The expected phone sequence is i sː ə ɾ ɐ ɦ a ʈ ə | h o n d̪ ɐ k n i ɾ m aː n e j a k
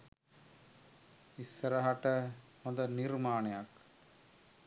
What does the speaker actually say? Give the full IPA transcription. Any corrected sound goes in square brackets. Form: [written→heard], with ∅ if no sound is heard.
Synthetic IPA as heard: i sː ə ɾ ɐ ɦ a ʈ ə | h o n d̪ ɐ [k→∅] n i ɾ m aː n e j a k